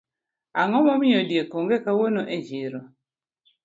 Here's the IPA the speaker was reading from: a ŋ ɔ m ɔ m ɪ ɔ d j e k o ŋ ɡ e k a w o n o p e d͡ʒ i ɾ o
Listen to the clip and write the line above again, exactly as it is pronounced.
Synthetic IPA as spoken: a ŋ ɔ m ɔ m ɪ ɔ d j e k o ŋ ɡ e k a w o n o ʔ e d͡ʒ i ɾ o